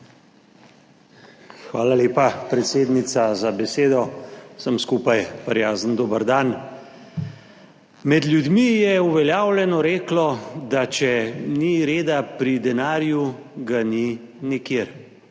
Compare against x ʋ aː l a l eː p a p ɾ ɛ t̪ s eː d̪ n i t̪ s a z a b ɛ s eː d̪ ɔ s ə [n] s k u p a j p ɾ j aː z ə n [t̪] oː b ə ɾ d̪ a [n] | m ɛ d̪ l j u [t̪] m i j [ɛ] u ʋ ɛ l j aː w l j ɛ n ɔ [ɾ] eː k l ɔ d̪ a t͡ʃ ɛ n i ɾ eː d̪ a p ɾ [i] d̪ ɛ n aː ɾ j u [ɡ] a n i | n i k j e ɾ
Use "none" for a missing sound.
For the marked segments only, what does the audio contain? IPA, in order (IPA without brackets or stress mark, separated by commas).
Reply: m, d̪, n, d̪, ɛ, ɾ, i, ɡ